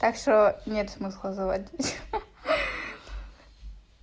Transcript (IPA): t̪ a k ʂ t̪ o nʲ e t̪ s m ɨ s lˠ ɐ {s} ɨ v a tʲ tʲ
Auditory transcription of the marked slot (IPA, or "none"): z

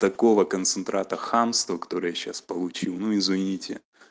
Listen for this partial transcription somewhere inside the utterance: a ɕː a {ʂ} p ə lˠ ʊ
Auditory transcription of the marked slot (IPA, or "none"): s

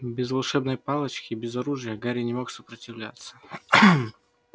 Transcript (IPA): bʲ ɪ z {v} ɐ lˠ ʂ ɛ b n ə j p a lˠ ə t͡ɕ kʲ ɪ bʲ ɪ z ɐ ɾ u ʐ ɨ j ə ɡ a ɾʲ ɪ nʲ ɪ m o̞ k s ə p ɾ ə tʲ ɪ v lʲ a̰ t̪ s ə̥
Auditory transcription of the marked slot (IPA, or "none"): v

